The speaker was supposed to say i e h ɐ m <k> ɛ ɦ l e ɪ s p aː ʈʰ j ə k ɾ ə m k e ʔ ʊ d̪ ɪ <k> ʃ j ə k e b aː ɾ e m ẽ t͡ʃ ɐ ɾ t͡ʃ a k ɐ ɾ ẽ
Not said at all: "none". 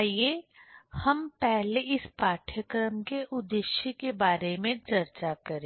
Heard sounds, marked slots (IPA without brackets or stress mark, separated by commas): p, none